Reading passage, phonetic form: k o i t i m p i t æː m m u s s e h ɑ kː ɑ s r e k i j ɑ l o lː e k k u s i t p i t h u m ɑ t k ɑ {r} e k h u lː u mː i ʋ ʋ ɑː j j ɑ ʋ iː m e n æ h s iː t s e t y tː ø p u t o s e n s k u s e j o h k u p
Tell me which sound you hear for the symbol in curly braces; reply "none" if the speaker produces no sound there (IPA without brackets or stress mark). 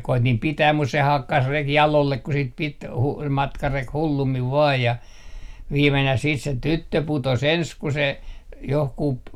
r